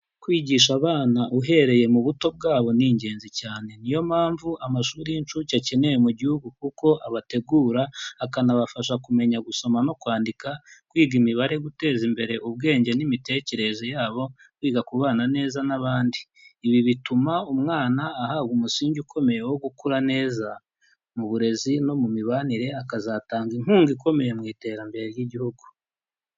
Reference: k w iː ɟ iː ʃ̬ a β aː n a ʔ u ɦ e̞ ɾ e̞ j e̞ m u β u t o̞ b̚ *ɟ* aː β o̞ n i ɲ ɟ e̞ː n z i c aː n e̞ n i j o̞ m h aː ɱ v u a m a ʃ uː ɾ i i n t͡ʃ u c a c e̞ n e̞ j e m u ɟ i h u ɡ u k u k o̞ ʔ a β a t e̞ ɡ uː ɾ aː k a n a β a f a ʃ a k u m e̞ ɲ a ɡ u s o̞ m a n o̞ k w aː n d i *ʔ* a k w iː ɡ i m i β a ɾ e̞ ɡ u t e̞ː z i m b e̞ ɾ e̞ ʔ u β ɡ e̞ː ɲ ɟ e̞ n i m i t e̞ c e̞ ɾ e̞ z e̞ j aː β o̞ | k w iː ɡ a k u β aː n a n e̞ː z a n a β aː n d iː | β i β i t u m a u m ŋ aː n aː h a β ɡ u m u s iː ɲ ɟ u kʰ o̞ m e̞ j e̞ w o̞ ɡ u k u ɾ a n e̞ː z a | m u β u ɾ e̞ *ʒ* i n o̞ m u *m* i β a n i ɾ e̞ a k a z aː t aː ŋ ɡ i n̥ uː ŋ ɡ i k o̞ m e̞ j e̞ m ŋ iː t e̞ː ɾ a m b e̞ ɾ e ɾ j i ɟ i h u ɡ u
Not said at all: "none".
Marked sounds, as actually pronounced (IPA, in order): ɡ, k, z, m

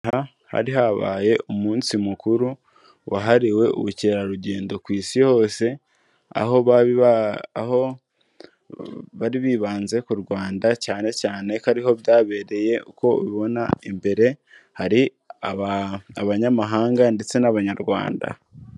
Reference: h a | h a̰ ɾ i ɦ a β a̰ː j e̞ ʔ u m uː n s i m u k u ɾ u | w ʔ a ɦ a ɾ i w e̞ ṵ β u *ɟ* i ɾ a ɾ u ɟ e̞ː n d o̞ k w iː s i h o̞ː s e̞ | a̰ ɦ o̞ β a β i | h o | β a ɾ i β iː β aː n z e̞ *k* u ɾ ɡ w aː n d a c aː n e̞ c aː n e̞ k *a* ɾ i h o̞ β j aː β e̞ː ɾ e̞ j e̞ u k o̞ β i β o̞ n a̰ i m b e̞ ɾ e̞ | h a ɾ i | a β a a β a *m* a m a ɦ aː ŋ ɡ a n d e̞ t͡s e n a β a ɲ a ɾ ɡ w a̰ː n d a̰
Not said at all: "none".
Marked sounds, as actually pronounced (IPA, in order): c, k, a, ɲ

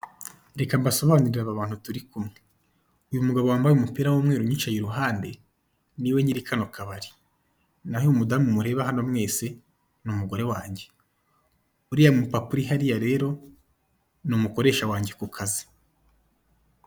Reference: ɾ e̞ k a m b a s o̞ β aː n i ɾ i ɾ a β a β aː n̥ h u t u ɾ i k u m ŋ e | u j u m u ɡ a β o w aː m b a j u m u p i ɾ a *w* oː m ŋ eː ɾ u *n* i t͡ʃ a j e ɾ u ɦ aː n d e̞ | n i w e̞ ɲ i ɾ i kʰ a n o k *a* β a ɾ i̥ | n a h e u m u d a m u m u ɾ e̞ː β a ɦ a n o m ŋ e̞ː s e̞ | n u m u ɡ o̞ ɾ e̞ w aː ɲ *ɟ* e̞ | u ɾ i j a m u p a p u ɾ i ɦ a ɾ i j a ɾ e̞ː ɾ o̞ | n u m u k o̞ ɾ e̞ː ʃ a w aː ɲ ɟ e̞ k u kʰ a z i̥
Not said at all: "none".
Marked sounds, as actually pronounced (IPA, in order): w, ɲ, a, ɟ

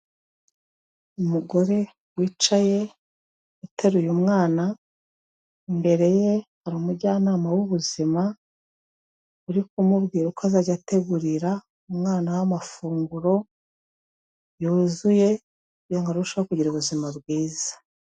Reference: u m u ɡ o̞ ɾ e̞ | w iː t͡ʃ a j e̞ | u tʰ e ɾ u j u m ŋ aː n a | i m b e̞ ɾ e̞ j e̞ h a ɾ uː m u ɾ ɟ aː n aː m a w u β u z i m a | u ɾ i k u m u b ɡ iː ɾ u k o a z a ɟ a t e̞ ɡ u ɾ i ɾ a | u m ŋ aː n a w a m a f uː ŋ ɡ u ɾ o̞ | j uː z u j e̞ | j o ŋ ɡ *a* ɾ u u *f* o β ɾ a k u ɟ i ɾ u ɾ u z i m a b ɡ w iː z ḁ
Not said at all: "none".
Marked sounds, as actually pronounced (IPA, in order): a, ʃ

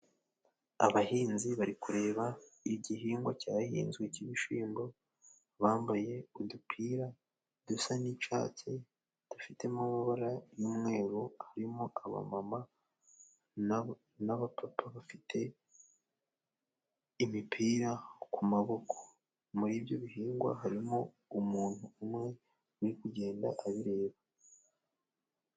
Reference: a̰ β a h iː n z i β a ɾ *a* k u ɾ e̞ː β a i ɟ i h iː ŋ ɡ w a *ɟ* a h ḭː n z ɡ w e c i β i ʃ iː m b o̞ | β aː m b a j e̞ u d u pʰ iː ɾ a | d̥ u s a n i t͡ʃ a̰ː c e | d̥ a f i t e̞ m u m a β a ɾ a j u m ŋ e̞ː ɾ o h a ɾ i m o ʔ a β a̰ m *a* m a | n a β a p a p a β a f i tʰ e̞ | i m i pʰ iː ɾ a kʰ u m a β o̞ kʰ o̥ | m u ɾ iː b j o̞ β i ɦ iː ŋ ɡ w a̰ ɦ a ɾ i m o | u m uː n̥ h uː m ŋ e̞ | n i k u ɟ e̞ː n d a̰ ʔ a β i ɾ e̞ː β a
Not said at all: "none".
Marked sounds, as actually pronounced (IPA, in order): i, c, a

